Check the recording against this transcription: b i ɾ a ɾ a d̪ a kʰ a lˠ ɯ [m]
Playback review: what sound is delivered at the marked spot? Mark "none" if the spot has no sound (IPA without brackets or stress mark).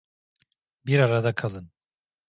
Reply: n